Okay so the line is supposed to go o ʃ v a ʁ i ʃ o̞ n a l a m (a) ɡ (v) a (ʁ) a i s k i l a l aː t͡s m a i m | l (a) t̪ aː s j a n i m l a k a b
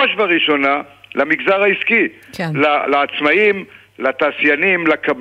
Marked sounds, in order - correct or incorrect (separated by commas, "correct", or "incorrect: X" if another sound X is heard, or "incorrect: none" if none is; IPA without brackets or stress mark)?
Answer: incorrect: i, incorrect: z, correct, correct